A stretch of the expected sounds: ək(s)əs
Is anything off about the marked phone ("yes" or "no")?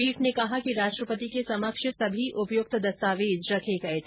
yes